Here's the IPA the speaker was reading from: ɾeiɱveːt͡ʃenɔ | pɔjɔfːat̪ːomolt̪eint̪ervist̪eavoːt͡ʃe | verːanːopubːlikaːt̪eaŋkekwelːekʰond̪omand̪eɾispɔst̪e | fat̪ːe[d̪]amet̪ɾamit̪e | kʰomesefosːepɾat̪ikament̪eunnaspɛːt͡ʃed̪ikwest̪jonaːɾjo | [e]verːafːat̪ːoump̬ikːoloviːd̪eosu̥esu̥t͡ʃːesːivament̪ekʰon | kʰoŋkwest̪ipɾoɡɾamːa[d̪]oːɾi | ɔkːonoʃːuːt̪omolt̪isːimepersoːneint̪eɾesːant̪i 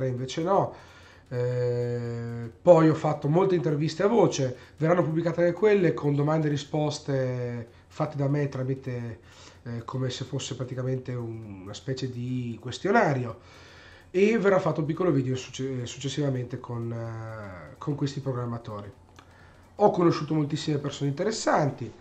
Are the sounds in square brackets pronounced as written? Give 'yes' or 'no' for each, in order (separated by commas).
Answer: yes, yes, no